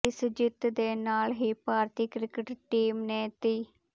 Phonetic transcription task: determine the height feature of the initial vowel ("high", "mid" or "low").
high